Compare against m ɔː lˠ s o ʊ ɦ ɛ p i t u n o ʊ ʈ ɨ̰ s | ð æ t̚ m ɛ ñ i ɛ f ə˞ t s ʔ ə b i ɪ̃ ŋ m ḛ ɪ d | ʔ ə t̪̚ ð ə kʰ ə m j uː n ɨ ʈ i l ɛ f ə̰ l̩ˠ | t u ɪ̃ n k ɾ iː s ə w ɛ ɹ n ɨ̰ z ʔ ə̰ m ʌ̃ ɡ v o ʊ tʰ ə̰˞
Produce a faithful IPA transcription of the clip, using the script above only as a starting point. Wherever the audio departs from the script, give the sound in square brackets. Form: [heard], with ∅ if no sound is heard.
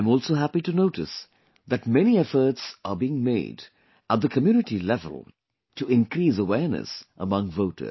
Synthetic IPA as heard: m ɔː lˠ s o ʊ ɦ [æ] p i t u n o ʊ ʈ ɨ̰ s | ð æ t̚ m ɛ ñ i ɛ f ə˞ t s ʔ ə b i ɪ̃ ŋ m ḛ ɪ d | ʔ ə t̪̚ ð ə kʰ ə m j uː n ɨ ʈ i l ɛ [v] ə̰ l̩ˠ | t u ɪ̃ n k ɾ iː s ə w ɛ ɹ n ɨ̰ [s] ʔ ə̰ m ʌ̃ [ŋ] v o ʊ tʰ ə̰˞